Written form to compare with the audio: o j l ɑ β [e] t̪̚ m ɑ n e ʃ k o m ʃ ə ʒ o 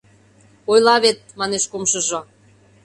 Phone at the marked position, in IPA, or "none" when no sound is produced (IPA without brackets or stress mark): e